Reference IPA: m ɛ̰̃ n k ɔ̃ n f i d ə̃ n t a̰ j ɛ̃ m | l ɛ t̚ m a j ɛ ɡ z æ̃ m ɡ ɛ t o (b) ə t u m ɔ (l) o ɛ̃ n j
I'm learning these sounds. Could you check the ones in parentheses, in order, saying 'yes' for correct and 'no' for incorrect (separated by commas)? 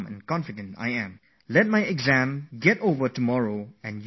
no, no